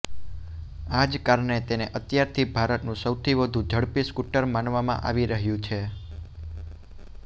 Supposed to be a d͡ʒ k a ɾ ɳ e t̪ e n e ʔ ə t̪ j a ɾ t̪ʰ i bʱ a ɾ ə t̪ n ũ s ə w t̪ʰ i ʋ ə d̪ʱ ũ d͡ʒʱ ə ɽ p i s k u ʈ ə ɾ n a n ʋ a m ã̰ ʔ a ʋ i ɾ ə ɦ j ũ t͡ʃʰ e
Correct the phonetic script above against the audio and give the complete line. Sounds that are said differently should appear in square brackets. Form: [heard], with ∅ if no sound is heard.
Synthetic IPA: a d͡ʒ k a ɾ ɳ e t̪ e n e ʔ ə t̪ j a ɾ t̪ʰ i bʱ a ɾ ə t̪ n ũ s ə w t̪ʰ i ʋ ə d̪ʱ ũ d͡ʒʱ ə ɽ p i s k u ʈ ə ɾ [m] a n ʋ a m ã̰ ʔ a ʋ i ɾ ə ɦ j ũ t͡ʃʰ e